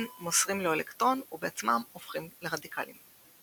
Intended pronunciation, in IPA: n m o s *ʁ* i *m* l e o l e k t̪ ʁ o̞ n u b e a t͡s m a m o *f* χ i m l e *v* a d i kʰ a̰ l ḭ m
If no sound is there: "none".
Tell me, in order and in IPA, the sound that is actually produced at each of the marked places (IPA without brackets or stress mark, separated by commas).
ʁ, m, f, ʁ